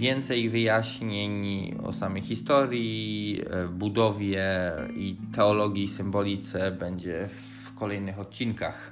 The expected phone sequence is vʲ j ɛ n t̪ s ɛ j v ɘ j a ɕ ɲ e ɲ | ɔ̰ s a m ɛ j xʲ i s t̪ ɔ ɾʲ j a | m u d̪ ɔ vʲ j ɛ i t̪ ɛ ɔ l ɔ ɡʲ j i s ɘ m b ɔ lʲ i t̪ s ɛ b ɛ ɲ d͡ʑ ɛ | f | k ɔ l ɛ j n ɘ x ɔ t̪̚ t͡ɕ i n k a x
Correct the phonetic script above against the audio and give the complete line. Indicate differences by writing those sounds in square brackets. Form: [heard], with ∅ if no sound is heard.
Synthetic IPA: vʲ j ɛ n t̪ s ɛ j v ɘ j a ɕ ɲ e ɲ | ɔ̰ s a m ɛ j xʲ i s t̪ ɔ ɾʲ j [i] | [b] u d̪ ɔ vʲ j ɛ i t̪ ɛ ɔ l ɔ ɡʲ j i s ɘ m b ɔ lʲ i t̪ s ɛ b ɛ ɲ d͡ʑ ɛ | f | k ɔ l ɛ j n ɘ x ɔ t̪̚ t͡ɕ i n k a x